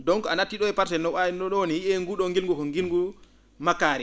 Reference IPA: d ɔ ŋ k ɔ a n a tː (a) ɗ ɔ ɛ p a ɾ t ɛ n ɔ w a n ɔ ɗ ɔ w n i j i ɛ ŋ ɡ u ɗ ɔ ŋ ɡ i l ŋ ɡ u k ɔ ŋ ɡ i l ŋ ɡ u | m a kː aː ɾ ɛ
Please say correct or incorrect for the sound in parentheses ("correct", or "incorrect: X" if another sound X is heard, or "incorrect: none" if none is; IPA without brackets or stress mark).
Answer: incorrect: i